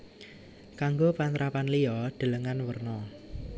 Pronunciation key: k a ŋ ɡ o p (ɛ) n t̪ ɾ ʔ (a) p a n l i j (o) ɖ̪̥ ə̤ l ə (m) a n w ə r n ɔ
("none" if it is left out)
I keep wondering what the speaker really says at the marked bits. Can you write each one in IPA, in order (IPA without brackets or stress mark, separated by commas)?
a, a, ɔ, ŋ